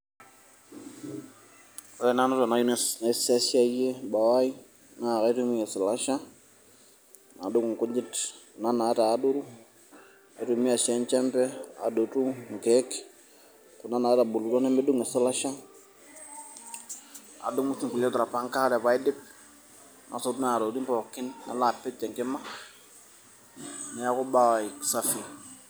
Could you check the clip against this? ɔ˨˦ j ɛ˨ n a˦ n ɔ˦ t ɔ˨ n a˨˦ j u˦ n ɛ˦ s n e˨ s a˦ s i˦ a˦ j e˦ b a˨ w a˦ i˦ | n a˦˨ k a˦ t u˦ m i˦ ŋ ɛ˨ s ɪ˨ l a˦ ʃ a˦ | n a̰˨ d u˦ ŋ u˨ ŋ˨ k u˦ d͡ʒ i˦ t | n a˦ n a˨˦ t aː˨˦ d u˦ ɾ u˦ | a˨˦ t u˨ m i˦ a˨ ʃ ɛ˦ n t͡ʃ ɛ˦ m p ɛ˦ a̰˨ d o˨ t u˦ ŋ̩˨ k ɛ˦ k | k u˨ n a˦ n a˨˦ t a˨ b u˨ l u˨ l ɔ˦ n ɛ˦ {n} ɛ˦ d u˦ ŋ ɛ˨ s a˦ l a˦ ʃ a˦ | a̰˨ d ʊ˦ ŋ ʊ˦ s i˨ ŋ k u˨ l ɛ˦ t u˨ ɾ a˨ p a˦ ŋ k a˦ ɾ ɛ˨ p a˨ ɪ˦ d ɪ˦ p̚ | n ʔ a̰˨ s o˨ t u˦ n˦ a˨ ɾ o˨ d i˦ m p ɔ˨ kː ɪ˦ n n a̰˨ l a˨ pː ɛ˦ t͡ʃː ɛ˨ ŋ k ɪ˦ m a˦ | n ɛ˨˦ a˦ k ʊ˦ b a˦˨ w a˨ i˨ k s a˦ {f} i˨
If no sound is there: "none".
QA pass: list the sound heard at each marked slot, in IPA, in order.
m, f

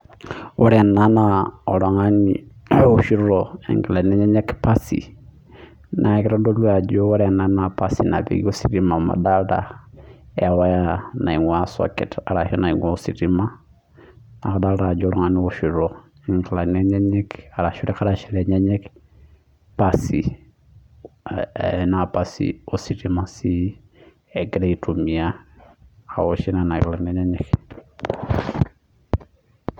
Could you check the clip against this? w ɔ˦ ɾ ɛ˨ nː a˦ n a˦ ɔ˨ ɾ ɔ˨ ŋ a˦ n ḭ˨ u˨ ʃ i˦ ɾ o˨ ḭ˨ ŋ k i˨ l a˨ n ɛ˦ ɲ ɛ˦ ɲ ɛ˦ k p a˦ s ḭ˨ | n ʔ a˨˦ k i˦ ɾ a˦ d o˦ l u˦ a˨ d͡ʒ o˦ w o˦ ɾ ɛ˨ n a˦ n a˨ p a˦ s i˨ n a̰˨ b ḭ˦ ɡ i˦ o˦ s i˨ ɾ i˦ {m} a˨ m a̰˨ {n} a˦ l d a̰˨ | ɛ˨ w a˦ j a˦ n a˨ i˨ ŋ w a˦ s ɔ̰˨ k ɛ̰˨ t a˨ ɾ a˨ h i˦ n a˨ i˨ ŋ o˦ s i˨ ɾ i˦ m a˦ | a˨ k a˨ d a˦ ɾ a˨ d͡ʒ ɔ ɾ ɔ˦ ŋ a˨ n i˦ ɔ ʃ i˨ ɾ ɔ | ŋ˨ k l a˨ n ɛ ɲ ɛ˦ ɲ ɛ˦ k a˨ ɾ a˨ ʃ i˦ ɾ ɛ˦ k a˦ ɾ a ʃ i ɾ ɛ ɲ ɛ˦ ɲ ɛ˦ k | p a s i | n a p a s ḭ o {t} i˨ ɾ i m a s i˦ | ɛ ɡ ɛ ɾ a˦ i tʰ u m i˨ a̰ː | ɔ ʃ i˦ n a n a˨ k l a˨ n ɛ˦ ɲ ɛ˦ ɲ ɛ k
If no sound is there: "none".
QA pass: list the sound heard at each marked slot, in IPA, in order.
m, d, s

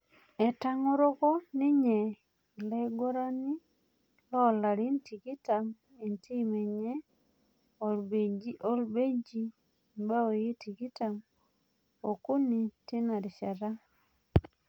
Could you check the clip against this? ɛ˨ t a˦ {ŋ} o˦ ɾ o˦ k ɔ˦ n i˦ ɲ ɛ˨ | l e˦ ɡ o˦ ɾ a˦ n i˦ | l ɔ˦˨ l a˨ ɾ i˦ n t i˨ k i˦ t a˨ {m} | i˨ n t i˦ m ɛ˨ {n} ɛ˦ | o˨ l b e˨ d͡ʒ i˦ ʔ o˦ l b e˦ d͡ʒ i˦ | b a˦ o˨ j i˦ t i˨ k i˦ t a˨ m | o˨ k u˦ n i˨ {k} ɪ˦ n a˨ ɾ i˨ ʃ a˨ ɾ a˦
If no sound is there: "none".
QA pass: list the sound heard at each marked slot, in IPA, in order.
ŋ, m, ɲ, t

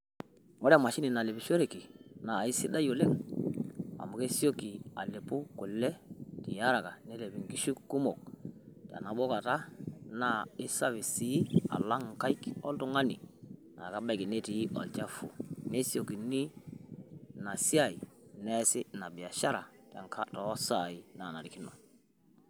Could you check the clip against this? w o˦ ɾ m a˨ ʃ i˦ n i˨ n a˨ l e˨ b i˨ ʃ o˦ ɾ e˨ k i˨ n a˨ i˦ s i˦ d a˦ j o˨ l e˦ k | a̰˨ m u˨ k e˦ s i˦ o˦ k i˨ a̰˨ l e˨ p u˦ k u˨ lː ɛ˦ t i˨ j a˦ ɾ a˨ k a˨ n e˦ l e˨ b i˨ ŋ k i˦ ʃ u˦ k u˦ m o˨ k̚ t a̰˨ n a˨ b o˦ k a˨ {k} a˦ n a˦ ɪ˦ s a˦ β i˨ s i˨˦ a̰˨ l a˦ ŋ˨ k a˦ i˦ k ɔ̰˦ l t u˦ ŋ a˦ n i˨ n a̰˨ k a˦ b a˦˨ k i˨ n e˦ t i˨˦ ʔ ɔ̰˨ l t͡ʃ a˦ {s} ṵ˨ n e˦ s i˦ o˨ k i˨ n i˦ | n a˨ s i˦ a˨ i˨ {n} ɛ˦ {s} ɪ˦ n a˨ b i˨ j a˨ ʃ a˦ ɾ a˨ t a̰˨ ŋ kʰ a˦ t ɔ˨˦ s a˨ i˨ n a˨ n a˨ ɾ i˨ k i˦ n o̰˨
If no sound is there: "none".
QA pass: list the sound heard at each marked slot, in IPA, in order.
t, f, n, s

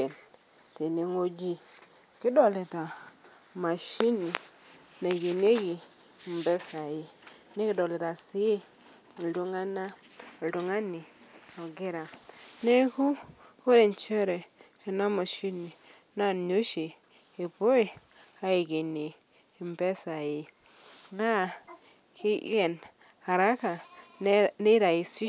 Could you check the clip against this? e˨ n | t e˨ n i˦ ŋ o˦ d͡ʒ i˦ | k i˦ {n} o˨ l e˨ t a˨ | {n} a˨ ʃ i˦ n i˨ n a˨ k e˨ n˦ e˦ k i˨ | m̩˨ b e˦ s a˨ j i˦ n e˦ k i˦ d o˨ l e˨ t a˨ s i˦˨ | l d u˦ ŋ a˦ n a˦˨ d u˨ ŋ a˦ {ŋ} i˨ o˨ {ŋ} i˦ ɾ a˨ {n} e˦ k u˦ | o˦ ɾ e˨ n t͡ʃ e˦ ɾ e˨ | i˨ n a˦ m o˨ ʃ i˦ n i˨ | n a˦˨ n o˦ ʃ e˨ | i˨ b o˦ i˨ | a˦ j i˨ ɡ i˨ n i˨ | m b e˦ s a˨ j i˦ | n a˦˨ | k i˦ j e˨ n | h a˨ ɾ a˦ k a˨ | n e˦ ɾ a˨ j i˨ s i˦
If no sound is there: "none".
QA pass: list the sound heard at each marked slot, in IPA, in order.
d, m, n, ɡ, n

